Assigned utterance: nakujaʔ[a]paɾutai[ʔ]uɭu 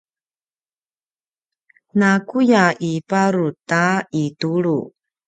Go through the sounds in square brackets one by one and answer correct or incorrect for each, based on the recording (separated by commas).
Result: incorrect, incorrect